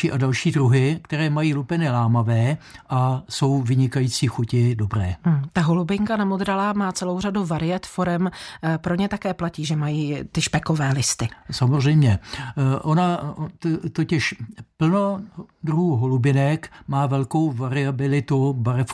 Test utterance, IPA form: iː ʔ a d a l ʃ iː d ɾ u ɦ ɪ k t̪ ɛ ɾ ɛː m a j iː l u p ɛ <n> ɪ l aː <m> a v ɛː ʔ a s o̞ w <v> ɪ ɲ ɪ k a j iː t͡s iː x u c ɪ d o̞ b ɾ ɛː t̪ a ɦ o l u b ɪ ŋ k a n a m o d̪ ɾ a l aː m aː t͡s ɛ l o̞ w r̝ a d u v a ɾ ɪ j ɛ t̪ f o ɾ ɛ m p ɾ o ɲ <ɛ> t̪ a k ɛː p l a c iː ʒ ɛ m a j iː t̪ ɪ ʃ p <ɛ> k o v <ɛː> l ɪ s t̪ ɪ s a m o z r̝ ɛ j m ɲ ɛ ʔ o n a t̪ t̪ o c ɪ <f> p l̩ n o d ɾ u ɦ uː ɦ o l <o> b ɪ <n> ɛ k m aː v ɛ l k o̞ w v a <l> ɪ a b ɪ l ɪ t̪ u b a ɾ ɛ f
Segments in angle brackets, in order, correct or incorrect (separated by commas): correct, correct, correct, correct, correct, correct, incorrect, incorrect, correct, incorrect